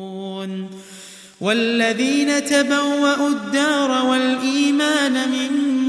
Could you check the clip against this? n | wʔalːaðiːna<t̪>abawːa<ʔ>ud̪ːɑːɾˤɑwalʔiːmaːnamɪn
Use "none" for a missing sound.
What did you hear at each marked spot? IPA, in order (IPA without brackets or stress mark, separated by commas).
t̪, ʔ